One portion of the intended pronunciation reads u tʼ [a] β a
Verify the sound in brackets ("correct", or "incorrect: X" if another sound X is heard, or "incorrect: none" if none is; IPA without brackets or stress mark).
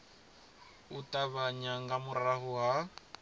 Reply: correct